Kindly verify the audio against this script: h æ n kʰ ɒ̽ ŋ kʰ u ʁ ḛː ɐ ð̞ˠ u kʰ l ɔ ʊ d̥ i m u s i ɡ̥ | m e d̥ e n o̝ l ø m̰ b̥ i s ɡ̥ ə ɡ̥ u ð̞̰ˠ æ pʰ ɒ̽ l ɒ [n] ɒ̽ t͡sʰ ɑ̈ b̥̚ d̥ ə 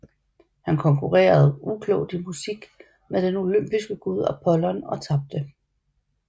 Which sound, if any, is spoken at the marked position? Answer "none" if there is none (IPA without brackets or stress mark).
n